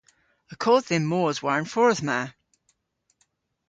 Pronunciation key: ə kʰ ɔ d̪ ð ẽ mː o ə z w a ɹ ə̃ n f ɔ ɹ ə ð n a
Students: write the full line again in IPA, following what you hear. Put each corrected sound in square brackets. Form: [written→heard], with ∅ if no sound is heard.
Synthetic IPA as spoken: ə kʰ ɔ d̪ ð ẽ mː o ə z w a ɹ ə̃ n f ɔ ɹ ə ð [n→m] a